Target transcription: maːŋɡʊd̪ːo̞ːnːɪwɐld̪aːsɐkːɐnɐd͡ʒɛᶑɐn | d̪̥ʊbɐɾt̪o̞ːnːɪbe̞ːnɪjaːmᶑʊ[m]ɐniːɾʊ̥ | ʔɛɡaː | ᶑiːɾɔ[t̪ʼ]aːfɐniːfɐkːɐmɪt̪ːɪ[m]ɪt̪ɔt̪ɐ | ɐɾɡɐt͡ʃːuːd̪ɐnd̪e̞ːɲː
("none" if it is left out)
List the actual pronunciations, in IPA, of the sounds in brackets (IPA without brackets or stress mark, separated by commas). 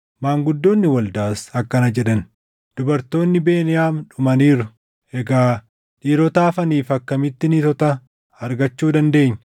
m, t̪, n